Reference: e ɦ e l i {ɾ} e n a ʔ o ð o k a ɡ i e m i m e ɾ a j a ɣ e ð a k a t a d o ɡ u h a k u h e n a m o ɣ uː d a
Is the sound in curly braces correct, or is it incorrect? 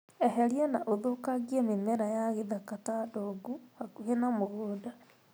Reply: incorrect: none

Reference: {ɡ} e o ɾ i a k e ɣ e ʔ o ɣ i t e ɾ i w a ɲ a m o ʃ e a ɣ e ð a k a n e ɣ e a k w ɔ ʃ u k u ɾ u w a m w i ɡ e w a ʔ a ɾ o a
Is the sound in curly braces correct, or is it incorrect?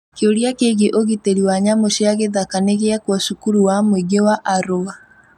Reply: incorrect: k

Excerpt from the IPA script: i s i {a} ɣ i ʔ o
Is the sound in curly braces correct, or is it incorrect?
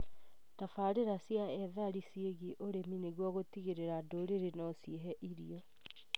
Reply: incorrect: e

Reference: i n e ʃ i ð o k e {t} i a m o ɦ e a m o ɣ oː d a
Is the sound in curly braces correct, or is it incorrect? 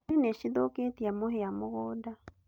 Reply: correct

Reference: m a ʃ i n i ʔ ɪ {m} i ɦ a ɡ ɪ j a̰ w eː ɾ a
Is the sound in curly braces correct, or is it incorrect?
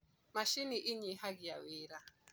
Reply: incorrect: ɲ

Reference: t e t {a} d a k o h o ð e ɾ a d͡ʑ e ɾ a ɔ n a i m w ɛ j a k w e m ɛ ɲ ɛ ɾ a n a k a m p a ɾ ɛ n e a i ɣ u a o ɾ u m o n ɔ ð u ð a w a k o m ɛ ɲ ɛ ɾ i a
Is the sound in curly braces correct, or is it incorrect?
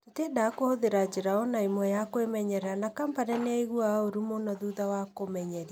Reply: incorrect: e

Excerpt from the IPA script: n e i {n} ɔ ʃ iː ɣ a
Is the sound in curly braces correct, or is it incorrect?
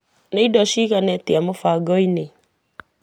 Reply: incorrect: d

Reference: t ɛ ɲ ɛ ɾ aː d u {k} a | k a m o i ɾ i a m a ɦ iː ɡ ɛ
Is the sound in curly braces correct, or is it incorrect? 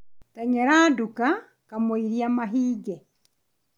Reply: correct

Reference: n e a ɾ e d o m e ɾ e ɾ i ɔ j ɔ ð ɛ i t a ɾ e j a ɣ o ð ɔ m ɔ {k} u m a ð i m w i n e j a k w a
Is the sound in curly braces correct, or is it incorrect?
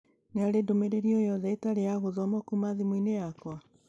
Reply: correct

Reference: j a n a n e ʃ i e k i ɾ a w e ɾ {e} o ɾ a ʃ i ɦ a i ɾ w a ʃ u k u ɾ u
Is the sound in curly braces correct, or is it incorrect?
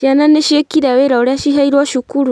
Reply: incorrect: a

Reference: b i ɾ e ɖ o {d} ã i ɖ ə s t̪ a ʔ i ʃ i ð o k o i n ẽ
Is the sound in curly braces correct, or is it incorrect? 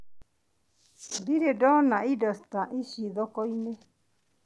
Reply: incorrect: n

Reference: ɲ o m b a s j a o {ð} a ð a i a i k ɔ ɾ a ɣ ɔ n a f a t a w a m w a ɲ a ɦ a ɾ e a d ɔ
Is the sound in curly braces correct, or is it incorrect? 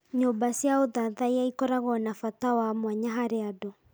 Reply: correct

